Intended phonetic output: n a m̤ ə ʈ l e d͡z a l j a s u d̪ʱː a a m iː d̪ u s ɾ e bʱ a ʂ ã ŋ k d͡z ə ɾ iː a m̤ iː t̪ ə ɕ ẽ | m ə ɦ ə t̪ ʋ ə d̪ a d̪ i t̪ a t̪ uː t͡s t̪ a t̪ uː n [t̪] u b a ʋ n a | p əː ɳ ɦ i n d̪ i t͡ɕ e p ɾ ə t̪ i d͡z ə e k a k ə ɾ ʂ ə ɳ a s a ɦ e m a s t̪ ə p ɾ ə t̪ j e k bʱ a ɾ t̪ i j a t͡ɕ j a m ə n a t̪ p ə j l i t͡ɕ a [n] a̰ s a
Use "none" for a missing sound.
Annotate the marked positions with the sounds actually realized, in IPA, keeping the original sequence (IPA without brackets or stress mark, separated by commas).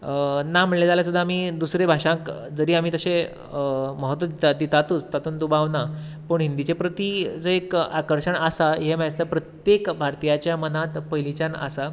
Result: d̪, n